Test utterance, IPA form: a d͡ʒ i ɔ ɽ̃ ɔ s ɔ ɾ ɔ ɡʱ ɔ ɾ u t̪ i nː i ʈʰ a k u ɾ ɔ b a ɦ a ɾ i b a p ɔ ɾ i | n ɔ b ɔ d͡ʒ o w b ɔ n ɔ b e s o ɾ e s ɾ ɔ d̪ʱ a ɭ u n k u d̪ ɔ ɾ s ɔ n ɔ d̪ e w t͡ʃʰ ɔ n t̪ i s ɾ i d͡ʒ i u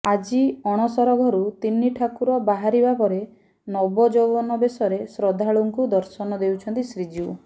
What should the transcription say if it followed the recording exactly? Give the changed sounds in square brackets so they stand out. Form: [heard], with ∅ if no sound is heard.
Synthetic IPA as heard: a d͡ʒ i ɔ ɽ̃ ɔ s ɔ ɾ ɔ ɡʱ ɔ ɾ u t̪ i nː i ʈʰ a k u ɾ ɔ b a ɦ a ɾ i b a p ɔ ɾ [e] | n ɔ b ɔ d͡ʒ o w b ɔ n ɔ b e s [ɔ] ɾ e s ɾ ɔ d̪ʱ a ɭ u [ŋ] k u d̪ ɔ ɾ s ɔ n ɔ d̪ e w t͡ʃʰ ɔ n t̪ i s ɾ i d͡ʒ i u